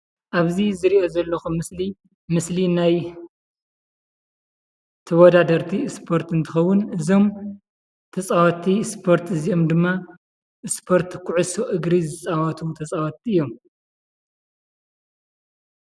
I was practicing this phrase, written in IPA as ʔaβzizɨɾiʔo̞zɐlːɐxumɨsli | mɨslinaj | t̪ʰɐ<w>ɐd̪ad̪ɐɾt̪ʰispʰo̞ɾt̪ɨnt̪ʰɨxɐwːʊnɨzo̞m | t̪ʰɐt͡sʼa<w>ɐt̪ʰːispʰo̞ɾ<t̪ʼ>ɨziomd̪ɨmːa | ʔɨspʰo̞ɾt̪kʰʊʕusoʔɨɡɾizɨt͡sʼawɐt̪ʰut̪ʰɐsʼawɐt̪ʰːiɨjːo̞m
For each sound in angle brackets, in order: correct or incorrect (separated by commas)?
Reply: correct, correct, incorrect